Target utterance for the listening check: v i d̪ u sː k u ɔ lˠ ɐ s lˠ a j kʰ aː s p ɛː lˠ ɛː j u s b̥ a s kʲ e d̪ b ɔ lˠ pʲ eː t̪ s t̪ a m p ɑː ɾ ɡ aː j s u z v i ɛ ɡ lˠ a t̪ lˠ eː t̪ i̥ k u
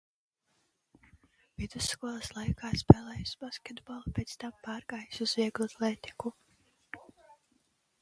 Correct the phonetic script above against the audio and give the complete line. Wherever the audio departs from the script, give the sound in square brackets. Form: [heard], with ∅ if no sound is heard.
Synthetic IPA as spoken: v i d̪ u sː k u ɔ lˠ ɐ s lˠ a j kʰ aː s p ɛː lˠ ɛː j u s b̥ a s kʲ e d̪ b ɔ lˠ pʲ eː t̪ s t̪ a m p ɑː ɾ ɡ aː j s u z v i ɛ ɡ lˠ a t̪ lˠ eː t̪ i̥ k u